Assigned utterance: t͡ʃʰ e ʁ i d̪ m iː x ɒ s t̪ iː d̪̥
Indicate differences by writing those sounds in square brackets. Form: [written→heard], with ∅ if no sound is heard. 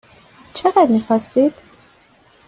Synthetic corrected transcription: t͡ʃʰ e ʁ [i→æ] d̪ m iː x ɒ s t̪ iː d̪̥